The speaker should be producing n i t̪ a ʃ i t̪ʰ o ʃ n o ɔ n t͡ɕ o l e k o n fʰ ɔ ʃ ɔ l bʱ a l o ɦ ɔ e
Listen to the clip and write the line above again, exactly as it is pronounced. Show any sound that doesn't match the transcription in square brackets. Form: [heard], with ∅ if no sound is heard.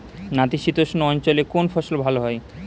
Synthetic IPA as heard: n [a] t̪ [i] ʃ i [t̪] o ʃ n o ɔ n t͡ɕ o l e k o n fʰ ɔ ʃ [o] l bʱ a l o ɦ ɔ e

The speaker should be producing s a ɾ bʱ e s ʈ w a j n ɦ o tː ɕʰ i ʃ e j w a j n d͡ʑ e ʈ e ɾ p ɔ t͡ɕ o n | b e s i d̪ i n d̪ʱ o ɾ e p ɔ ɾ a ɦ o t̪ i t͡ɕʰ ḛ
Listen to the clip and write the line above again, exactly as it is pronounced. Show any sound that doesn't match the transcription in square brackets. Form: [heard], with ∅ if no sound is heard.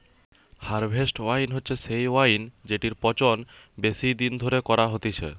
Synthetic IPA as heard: [h] a ɾ bʱ e s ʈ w a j n ɦ o tː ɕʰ [e] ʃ e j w a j n d͡ʑ e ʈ [i] ɾ p ɔ t͡ɕ o n | b e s i d̪ i n d̪ʱ o ɾ e [k] ɔ ɾ a ɦ o t̪ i t͡ɕʰ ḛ

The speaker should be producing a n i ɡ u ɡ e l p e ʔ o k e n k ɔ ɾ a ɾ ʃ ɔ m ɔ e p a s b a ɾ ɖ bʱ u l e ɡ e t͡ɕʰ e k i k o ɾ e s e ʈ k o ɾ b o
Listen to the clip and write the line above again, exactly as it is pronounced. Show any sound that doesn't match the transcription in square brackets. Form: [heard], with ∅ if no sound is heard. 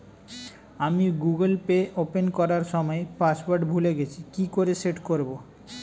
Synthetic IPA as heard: a [m] i ɡ u ɡ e l p e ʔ o [p] e n k ɔ ɾ a ɾ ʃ ɔ m ɔ e p a s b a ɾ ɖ bʱ u l e ɡ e t͡ɕʰ [i] k i k o ɾ e s e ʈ k o ɾ b o

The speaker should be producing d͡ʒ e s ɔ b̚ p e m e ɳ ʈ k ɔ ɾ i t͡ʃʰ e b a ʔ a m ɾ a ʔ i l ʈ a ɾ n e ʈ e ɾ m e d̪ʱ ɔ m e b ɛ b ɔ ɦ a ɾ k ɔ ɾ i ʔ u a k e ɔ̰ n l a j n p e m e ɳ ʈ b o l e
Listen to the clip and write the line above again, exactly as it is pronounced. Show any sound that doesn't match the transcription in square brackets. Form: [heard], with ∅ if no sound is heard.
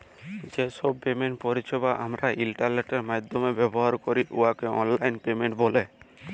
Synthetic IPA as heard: d͡ʒ e s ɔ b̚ p e m e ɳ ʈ [p] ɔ ɾ i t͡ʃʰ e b a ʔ a m ɾ a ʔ i l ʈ a ɾ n e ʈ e ɾ m [a] d̪ʱ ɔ m e b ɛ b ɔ ɦ a ɾ k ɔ ɾ i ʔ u a k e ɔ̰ n l a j n p e m e ɳ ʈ b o l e

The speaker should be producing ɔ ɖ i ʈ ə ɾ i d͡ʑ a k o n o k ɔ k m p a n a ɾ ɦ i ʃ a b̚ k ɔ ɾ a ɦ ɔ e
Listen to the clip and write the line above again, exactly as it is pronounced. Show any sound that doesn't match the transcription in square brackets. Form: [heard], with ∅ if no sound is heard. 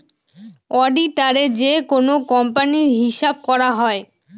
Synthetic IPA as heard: ɔ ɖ i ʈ [a] ɾ [e] d͡ʑ [e] k o n o k ɔ [∅] m p a n [i] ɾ ɦ i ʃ a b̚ k ɔ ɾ a ɦ ɔ e

